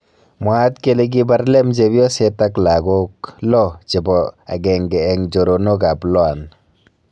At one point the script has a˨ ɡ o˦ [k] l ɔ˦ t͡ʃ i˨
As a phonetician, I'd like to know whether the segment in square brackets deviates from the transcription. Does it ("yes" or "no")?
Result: no